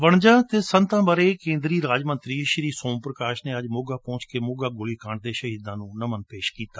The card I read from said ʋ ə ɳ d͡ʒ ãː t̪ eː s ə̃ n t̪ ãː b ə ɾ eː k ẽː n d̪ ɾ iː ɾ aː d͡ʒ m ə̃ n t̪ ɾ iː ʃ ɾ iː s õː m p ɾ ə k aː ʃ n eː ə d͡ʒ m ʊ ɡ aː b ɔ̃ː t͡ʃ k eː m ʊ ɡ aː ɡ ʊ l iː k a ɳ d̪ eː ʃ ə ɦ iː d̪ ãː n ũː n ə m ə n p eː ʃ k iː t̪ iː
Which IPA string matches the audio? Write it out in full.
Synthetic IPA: ʋ ə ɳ d͡ʒ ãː t̪ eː s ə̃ n t̪ ãː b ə ɾ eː k ẽː n d̪ ɾ iː ɾ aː d͡ʒ m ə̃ n t̪ ɾ iː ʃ ɾ iː s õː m p ɾ ə k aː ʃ n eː ə d͡ʒ m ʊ ɡ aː p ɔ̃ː t͡ʃ k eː m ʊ ɡ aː ɡ ʊ l iː k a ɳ d̪ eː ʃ ə ɦ iː d̪ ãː n ũː n ə m ə n p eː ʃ k iː t̪ aː